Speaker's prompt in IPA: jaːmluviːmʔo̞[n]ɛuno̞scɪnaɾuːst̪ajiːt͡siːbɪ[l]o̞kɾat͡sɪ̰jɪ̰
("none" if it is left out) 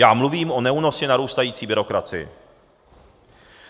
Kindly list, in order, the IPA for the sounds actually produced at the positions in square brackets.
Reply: n, ɾ

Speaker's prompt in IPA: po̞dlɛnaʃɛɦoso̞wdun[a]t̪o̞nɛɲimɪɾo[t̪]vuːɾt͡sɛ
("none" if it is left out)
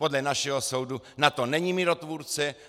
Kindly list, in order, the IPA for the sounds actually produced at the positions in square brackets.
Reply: a, t̪

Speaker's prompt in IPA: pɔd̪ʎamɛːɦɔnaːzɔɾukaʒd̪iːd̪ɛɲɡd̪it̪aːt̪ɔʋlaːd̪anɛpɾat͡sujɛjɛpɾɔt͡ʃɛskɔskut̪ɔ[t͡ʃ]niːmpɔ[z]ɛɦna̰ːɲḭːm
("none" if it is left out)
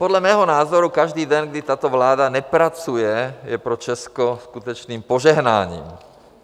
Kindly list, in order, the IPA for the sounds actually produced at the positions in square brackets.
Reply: t͡ʃ, ʒ

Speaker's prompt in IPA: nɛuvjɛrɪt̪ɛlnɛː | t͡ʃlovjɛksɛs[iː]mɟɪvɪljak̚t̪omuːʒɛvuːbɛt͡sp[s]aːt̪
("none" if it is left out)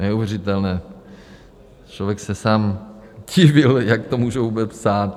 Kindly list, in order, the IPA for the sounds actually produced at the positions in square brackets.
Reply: aː, s

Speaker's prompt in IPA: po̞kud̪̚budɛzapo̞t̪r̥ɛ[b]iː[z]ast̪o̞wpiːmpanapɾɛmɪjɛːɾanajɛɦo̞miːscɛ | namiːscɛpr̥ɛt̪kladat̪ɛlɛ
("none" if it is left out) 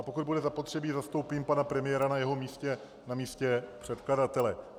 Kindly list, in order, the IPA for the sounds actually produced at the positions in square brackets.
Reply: b, z

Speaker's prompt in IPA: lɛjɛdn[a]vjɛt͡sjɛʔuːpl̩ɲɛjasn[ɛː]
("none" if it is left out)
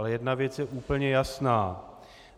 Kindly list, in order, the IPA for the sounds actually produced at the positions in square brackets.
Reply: a, aː

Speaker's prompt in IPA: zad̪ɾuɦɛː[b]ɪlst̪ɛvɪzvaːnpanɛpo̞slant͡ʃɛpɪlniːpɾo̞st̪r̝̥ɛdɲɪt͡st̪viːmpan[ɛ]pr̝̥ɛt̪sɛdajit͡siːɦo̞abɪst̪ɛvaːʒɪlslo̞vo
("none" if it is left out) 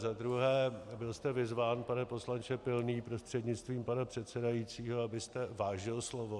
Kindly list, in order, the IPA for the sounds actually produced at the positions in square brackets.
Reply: b, a

